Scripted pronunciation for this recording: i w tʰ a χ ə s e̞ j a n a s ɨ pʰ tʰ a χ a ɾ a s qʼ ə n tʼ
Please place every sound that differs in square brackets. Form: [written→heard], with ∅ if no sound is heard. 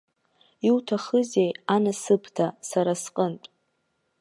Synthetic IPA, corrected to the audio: i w tʰ a χ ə [s→z] e̞ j a n a s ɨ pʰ tʰ a [χ→s] a ɾ a s qʼ ə n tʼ